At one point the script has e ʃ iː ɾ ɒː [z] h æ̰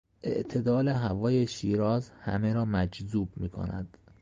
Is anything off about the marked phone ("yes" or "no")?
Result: no